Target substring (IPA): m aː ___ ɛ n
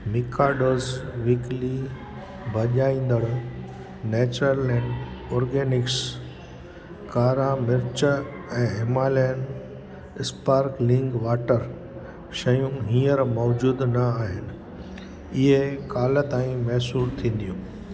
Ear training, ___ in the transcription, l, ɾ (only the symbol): l